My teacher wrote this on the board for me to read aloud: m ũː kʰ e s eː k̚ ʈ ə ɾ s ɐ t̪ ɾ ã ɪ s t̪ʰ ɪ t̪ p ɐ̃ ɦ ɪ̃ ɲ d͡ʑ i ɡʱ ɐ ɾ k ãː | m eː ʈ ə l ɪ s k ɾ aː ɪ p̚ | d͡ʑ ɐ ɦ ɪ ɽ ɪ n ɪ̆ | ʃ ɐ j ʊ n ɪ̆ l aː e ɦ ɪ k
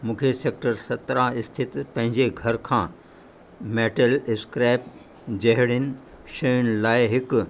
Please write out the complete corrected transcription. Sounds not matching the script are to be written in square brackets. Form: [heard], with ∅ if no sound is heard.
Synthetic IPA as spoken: m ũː kʰ e s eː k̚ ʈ ə ɾ s ɐ t̪ ɾ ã ɪ s t̪ʰ ɪ t̪ p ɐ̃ ɦ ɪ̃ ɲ d͡ʑ [e] ɡʱ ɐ ɾ [kʰ] ãː | m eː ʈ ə l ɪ s k ɾ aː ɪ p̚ | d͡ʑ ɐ ɦ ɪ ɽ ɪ n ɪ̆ | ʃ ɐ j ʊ n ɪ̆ l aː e ɦ ɪ k